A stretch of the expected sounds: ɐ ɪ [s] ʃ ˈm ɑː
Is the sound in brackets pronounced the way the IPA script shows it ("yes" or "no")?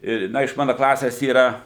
no